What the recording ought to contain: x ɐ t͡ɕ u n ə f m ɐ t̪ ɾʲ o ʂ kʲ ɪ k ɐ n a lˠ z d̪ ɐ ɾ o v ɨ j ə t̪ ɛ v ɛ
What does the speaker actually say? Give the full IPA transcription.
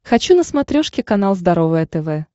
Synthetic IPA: x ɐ t͡ɕ u n ə s m ɐ t̪ ɾʲ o ʂ kʲ ɪ k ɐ n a lˠ z d̪ ɐ ɾ o v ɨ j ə t̪ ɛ v ɛ